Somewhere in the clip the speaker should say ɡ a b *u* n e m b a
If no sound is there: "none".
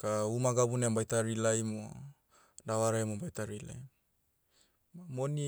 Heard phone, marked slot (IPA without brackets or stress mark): u